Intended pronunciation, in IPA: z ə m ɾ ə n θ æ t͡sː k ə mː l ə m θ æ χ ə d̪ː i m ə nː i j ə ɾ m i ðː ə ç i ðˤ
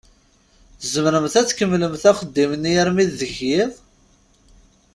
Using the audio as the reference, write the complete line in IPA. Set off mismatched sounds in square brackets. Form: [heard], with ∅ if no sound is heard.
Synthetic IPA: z ə m ɾ ə [m] θ æ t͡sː k ə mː l ə m θ æ χ ə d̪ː i m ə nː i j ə ɾ m i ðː ə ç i ðˤ